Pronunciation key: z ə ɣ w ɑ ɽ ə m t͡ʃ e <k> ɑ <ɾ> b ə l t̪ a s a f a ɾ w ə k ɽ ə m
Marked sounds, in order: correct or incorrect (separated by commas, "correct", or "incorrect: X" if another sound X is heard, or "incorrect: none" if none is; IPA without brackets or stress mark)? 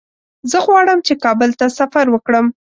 correct, incorrect: none